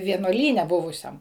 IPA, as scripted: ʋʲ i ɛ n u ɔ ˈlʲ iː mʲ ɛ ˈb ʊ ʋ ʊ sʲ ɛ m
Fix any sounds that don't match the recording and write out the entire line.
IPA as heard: ʋʲ i ɛ n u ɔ ˈlʲ iː nʲ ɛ ˈb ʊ ʋ ʊ sʲ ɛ m